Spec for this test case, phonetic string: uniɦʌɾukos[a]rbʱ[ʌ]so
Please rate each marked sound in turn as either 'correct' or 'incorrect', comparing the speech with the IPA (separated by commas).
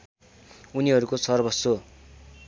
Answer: incorrect, correct